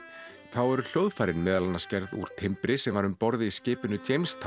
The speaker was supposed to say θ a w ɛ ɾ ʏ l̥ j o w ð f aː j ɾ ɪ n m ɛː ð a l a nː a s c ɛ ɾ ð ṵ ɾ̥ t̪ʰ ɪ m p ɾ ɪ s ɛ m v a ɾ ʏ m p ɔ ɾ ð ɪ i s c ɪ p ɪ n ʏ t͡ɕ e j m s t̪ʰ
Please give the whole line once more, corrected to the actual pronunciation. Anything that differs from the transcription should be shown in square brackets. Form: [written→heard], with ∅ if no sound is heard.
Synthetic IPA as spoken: θ a w ɛ ɾ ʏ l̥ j o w ð f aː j ɾ ɪ n m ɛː ð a l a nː a s c ɛ ɾ ð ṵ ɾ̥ t̪ʰ ɪ m p ɾ ɪ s ɛ m v a ɾ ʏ m p ɔ ɾ ð ɪ i s c [ɪ→ɪː] p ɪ n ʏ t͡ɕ e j m s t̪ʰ